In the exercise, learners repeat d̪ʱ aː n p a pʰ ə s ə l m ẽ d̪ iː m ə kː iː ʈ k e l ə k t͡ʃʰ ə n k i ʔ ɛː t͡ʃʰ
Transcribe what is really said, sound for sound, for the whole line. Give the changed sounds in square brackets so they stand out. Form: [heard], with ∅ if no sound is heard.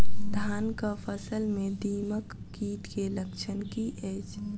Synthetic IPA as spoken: d̪ʱ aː n [k] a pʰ ə s ə l m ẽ d̪ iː m ə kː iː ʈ k e l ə k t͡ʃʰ ə n k i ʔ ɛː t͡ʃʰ

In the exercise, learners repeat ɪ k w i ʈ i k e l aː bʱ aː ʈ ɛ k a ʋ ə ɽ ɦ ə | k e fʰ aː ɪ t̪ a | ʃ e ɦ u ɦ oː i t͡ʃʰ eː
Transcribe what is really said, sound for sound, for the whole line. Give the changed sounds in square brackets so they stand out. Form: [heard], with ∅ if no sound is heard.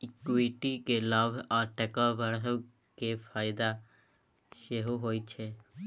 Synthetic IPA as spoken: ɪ k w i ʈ i k e l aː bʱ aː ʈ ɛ k a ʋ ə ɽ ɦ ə | k e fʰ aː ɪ [d̪] a | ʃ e ɦ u ɦ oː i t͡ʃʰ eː

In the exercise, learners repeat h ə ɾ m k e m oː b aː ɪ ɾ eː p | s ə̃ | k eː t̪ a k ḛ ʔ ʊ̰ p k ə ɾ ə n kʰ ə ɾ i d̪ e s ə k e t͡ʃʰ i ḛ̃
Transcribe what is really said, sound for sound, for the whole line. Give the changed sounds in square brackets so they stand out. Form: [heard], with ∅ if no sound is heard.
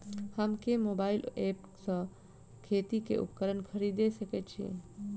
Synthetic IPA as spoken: h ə [∅] m k e m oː b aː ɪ [l] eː p | s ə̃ | [kʰ] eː t̪ [i] k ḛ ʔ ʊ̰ p k ə ɾ ə n kʰ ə ɾ i d̪ e s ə k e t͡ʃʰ i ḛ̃

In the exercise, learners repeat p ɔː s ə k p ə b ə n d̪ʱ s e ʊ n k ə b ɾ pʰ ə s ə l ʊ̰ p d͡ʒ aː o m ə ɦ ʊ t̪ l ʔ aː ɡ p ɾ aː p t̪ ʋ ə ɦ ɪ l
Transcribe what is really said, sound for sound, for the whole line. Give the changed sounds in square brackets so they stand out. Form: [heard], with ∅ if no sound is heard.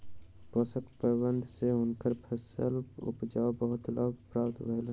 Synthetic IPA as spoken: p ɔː s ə k p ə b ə n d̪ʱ s e ʊ n k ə [∅] ɾ pʰ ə s ə l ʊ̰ p d͡ʒ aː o [b] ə ɦ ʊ t̪ l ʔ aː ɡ p ɾ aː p t̪ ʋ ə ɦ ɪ l

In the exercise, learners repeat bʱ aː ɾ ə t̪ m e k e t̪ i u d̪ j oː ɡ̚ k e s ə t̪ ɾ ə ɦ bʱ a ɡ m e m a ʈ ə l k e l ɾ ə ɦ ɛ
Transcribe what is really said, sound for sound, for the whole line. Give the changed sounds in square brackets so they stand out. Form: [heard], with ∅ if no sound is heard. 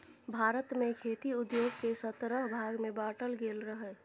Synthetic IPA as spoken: bʱ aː ɾ ə t̪ m e [kʰ] e t̪ i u d̪ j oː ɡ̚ k e s ə t̪ ɾ ə ɦ bʱ a ɡ m e [b] a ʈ ə l [ɡ] e l ɾ ə ɦ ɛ

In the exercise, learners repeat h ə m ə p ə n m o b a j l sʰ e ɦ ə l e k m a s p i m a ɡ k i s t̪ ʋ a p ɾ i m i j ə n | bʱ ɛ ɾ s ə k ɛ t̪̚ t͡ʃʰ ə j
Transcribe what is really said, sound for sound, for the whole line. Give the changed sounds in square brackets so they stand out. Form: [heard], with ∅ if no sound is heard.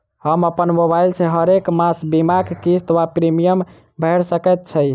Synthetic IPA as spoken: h ə m ə p ə n m o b a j l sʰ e ɦ ə [ɾ] e k m a s [b] i m a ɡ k i s t̪ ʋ a p ɾ i m i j ə [m] | bʱ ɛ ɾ s ə k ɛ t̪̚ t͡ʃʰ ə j

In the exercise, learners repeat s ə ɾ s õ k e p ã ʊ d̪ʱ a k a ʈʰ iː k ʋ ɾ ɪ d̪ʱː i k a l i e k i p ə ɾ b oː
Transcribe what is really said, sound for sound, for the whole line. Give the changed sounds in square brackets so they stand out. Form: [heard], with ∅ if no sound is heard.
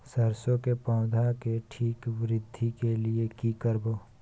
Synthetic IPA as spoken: s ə ɾ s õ k e p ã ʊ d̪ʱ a k [e] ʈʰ iː k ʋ ɾ ɪ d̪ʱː i k [e] l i e k i [k] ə ɾ b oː

